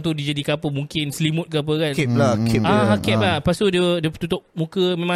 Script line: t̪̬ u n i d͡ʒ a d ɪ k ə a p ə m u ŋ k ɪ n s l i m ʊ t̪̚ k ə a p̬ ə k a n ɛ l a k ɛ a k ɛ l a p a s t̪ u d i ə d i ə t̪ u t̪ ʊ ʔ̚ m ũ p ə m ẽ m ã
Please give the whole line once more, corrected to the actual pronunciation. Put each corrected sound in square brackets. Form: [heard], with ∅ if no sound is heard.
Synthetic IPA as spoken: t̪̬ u [d] i d͡ʒ a d [i] k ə a p ə m u ŋ k ɪ n s l i m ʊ t̪̚ k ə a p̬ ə k a n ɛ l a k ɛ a k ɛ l a p a s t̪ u d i ə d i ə t̪ u t̪ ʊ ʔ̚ m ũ [k] ə m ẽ m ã